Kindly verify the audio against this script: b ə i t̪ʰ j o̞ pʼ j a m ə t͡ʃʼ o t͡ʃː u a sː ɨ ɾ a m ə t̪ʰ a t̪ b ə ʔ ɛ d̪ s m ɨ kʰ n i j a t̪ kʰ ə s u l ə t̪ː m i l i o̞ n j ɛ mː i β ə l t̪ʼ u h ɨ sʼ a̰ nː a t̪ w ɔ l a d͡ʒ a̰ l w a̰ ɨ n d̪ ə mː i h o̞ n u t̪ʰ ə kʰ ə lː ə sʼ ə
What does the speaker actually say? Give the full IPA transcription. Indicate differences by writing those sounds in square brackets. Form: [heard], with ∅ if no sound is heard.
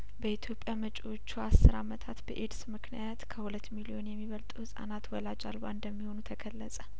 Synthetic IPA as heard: b ə i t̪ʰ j o̞ pʼ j a m ə t͡ʃʼ o t͡ʃː u a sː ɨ ɾ a m ə t̪ʰ a t̪ b ə ʔ [e] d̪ s m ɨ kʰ n i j a t̪ kʰ ə [h] u l ə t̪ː m i l i o̞ n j ɛ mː i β ə l t̪ʼ u h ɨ sʼ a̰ [n] a t̪ w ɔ l a d͡ʒ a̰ l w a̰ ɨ n d̪ ə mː i h o̞ n u t̪ʰ ə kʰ ə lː ə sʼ ə